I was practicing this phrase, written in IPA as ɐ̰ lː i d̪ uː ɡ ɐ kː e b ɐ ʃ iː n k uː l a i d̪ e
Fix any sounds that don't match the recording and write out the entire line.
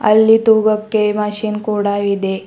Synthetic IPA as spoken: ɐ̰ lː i t̪ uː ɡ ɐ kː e m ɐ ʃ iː n k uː ɽ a i d̪ e